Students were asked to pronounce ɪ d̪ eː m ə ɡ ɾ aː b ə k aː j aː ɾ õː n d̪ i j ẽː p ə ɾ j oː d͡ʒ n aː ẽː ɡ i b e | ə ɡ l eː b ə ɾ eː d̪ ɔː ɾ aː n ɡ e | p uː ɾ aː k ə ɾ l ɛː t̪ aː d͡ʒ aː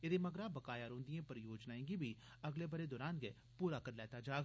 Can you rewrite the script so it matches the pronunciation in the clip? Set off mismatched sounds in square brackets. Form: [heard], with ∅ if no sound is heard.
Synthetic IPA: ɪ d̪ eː m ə ɡ ɾ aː b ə k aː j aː ɾ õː n d̪ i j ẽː p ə ɾ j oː d͡ʒ n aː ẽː ɡ i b [i] | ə ɡ l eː b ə ɾ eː d̪ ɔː ɾ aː n ɡ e | p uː ɾ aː k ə ɾ l ɛː t̪ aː d͡ʒ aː